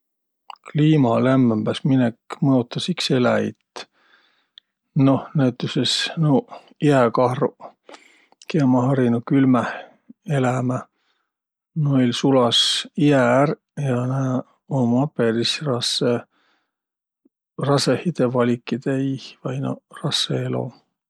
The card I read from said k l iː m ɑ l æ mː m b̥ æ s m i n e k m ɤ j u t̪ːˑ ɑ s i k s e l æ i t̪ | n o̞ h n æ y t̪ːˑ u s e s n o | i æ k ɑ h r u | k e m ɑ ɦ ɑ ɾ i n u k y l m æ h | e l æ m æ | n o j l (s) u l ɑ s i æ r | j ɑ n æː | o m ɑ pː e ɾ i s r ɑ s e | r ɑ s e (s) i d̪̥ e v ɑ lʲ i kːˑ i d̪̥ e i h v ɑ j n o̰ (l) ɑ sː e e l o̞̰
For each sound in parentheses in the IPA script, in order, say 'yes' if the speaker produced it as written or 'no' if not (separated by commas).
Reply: yes, no, no